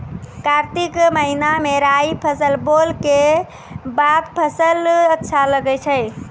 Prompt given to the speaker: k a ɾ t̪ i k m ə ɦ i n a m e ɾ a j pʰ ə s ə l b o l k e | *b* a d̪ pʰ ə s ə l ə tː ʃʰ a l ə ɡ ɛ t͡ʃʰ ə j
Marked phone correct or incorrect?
correct